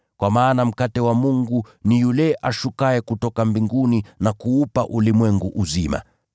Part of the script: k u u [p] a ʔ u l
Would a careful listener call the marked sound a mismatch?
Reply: no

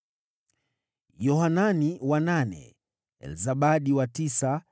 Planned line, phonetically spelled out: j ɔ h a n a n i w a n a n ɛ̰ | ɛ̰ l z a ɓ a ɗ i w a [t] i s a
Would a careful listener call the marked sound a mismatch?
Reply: no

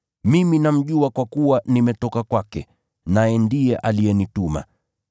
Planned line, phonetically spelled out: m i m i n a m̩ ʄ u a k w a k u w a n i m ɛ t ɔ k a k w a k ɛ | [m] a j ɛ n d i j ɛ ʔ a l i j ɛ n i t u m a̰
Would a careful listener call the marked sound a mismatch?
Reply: yes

